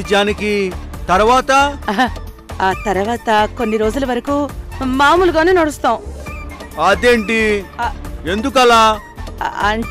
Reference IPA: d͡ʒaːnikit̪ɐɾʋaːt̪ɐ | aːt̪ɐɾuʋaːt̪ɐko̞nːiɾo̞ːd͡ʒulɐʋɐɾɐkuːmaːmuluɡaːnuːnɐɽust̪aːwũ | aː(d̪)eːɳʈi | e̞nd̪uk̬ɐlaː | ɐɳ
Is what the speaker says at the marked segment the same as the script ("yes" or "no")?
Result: yes